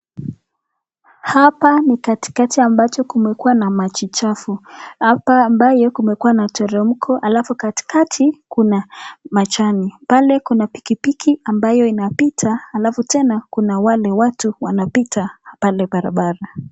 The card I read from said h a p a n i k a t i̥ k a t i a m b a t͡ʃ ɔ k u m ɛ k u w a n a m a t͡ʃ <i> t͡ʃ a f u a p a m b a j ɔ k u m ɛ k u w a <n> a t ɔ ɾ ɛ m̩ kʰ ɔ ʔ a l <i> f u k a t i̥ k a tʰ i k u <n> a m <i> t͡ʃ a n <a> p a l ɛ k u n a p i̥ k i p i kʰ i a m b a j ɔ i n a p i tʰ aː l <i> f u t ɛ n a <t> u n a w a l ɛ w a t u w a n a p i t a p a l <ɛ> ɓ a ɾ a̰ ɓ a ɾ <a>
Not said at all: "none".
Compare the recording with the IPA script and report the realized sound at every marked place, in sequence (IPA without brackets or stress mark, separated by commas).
i, n, a, n, a, i, a, k, ɛ, a